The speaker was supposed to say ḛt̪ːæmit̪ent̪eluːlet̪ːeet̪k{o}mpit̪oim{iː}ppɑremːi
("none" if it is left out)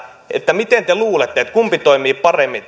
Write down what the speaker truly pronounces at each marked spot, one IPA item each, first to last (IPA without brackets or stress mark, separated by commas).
u, iː